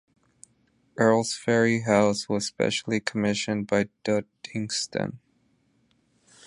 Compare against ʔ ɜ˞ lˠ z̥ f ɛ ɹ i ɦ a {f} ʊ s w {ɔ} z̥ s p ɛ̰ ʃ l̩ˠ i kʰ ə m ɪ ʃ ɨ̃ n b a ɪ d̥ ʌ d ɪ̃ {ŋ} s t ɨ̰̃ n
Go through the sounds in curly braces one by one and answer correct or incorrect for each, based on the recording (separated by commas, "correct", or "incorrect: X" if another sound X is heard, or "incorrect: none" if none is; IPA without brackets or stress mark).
incorrect: none, incorrect: ʌ, correct